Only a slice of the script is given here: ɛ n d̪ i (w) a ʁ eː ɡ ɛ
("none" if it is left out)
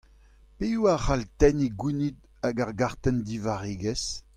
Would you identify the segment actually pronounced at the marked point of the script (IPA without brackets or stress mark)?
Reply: v